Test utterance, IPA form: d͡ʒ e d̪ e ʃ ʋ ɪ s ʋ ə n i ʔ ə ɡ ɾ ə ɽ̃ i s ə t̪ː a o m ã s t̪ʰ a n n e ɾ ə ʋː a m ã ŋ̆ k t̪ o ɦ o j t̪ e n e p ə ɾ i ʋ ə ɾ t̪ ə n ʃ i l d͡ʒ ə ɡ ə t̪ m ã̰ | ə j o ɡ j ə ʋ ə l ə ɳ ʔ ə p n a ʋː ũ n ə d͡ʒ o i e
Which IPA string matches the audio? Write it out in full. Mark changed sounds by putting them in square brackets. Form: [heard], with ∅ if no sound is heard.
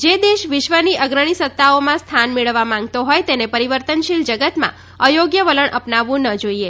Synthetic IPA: d͡ʒ e d̪ e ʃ ʋ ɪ [ʃ] ʋ ə n i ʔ ə ɡ ɾ ə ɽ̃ i s ə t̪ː a o m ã s t̪ʰ a n [m] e [ɭ] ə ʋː a m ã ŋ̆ [ɡ] t̪ o ɦ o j t̪ e n e p ə ɾ i ʋ ə ɾ t̪ ə n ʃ i l d͡ʒ ə ɡ ə t̪ m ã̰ | ə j o ɡ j ə ʋ ə l ə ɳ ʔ ə p n a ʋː ũ n ə d͡ʒ o i e